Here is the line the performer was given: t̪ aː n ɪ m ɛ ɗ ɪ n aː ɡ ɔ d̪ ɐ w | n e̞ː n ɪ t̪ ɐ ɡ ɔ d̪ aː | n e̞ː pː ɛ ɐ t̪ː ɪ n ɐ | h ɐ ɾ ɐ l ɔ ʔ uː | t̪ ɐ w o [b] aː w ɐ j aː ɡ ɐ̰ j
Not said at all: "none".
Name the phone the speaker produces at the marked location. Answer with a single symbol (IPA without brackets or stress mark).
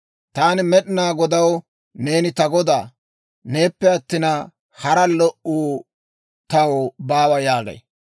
b